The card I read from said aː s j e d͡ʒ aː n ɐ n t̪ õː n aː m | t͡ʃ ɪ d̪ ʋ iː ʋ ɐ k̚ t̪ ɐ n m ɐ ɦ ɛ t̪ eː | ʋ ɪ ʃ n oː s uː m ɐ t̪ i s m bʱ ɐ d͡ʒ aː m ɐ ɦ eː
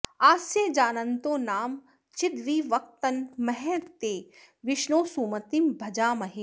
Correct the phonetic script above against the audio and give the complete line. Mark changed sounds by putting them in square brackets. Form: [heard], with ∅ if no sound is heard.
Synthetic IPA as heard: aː s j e d͡ʒ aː n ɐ n t̪ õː n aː m | t͡ʃ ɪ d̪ ʋ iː ʋ ɐ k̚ t̪ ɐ n m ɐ ɦ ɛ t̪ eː | ʋ ɪ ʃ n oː s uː m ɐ t̪ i [∅] m bʱ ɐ d͡ʒ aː m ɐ ɦ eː